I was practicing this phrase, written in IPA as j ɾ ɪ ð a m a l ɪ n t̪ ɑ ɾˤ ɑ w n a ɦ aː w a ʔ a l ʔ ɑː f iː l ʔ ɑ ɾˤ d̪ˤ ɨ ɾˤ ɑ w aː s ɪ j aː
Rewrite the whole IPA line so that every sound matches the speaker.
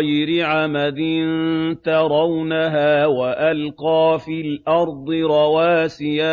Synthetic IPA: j ɾ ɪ ʕ a m a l ɪ n t̪ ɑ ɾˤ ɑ w n a ɦ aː w a ʔ a l q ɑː f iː l ʔ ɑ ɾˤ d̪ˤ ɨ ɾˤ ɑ w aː s ɪ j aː